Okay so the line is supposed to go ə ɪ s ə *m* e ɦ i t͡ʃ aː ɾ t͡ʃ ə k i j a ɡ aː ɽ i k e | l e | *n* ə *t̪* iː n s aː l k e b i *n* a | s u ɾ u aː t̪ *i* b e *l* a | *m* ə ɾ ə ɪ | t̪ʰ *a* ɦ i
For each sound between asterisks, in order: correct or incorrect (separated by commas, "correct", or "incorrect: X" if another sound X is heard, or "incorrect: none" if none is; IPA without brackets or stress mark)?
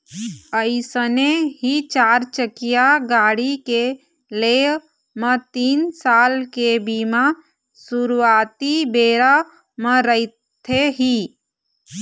incorrect: n, incorrect: m, correct, incorrect: m, correct, incorrect: ɾ, correct, incorrect: e